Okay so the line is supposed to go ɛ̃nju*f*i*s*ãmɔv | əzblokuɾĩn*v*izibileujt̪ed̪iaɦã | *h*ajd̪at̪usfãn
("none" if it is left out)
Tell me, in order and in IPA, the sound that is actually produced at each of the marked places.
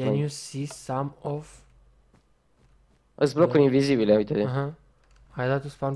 s, s, v, h

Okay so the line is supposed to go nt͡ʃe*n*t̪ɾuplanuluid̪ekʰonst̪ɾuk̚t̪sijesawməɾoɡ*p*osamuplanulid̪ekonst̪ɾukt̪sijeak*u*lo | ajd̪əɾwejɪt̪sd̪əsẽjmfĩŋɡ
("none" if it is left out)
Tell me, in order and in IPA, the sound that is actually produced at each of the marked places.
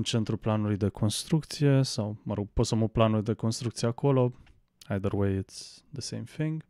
n, p, o

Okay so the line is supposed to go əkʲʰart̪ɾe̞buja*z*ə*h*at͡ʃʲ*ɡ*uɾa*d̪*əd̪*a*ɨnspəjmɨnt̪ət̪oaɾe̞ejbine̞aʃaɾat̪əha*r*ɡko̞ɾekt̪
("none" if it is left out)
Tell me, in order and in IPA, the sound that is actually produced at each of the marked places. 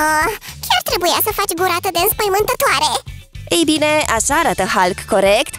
s, f, ɡ, t̪, e, l

